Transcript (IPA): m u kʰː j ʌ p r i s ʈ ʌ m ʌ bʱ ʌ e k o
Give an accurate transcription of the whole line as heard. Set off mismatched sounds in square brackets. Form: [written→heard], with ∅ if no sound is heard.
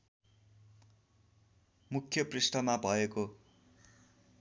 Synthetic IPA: m u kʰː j ʌ p r i s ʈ ʌ m [ʌ→a] bʱ ʌ e k o